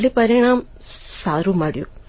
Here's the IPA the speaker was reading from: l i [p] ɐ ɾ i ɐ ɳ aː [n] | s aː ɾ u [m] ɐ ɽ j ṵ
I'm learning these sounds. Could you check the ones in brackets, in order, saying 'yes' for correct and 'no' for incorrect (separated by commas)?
yes, no, yes